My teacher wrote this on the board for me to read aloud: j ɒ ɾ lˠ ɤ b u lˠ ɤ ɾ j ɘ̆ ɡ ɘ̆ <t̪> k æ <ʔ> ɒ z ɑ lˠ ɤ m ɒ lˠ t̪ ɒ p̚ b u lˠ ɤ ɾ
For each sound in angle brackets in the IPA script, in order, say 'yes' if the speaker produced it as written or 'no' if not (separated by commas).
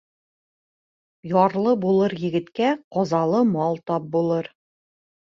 yes, no